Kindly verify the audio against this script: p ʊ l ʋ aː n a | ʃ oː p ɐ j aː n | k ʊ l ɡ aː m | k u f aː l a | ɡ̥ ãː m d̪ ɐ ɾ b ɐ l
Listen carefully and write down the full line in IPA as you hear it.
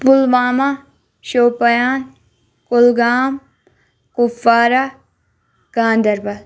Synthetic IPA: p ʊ l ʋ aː m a | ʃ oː p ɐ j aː n | k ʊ l ɡ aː m | k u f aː ɾ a | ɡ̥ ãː n d̪ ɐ ɾ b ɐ l